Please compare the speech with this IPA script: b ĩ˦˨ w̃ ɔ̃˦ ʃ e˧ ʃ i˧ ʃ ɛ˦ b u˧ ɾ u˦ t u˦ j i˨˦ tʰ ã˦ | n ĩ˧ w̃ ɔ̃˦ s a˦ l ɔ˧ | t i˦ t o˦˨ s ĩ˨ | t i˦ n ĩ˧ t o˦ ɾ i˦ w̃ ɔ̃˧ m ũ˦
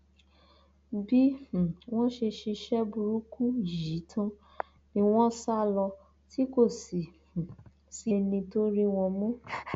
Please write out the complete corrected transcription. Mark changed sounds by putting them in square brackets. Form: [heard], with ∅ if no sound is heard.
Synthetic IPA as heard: b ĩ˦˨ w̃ ɔ̃˦ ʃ e˧ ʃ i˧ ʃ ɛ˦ b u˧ ɾ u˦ [k] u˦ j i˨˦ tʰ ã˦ | n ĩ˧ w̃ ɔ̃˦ s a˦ l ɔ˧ | t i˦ [k] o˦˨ s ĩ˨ | [s] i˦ n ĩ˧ t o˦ ɾ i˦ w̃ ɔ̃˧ m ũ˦